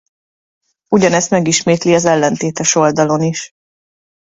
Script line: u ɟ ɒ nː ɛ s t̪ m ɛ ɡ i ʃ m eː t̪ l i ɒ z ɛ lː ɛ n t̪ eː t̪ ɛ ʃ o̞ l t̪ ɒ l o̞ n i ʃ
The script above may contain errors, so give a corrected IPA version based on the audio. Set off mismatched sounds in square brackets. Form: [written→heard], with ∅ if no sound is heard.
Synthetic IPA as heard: u ɟ ɒ [nː→n] ɛ s t̪ m ɛ ɡ i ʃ m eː t̪ l i ɒ z ɛ lː ɛ n t̪ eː t̪ ɛ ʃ o̞ l [t̪→d̪] ɒ l o̞ n i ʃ